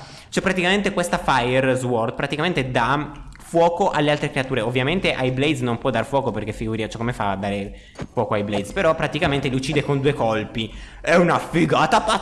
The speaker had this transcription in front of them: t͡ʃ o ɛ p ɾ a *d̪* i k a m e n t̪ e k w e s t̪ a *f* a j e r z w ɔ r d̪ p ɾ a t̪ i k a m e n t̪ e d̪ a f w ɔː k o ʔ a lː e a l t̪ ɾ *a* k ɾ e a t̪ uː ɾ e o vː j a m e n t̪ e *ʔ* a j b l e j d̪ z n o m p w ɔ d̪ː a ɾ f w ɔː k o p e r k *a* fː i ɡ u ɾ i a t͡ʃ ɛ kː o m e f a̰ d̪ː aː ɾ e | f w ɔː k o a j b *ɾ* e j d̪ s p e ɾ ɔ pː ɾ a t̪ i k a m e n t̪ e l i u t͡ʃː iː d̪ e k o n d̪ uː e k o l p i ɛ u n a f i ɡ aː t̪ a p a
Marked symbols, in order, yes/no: no, yes, no, yes, no, no

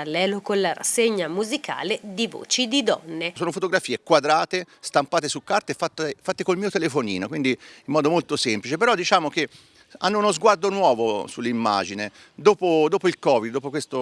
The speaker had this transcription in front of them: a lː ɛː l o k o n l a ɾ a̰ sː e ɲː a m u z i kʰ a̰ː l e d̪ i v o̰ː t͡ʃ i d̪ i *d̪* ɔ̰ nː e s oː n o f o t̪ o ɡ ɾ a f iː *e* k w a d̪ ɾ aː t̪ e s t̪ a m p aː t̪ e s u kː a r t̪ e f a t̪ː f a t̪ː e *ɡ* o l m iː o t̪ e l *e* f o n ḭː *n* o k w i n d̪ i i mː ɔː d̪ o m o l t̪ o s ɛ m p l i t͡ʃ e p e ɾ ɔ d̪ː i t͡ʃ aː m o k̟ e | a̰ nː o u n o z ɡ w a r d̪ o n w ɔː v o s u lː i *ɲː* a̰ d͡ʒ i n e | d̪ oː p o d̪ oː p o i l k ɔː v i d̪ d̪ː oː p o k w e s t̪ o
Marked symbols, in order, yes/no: yes, yes, no, yes, yes, no

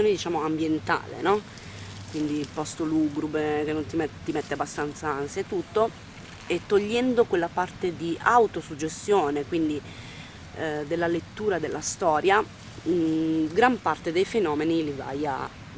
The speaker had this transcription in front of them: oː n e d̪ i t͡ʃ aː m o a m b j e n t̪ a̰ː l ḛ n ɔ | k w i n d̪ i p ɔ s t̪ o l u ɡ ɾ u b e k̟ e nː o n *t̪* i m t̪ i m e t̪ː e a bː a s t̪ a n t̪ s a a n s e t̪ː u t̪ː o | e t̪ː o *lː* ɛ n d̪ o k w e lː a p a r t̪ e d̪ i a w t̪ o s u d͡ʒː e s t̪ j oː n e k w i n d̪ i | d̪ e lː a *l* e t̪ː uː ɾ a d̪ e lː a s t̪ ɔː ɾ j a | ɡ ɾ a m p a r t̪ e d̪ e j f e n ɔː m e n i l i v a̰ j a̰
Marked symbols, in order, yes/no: yes, no, yes

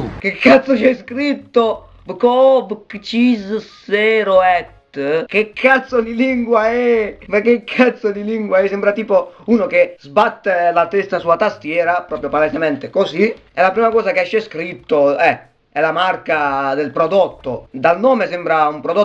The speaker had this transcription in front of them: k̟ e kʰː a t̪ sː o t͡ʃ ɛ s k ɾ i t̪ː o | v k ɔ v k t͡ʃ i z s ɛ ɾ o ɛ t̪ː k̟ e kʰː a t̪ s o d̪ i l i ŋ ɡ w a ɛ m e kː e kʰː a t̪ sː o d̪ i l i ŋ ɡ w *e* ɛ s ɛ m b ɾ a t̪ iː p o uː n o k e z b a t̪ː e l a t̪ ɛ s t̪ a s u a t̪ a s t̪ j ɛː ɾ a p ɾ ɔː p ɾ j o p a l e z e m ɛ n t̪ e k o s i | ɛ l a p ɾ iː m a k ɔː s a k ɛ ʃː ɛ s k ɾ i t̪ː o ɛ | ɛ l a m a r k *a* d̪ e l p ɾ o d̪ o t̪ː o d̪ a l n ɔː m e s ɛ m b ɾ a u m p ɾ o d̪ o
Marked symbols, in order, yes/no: no, yes

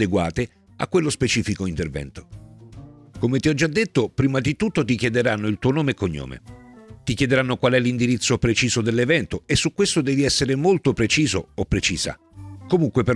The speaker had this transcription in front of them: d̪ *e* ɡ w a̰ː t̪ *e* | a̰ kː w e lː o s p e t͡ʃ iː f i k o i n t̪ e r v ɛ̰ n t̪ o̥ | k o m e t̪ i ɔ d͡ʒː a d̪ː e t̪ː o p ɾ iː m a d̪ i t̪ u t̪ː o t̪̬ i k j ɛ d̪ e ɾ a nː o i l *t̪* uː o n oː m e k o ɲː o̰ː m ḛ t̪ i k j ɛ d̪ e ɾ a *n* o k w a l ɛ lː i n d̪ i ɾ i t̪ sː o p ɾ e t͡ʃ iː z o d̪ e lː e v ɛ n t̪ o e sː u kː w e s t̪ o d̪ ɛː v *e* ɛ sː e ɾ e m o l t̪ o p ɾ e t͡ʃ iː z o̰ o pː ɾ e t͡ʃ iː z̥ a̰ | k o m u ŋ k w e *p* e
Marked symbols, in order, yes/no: yes, yes, yes, no, no, yes

